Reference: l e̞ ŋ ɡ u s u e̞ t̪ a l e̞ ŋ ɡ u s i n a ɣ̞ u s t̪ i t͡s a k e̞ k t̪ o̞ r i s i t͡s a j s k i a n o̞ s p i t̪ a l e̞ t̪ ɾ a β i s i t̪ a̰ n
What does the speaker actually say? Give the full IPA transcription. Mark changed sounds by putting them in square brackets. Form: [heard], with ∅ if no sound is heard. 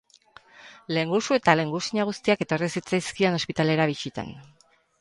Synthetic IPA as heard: l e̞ ŋ ɡ u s u e̞ t̪ a l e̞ ŋ ɡ u s i [ɲ] a ɣ̞ u s t̪ i [∅] a k e̞ [∅] t̪ o̞ r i s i t͡s a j s k i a n o̞ s p i t̪ a l e̞ [∅] ɾ a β i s i t̪ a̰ n